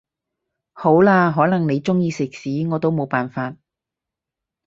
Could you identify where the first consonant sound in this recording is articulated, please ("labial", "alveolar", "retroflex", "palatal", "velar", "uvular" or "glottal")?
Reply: glottal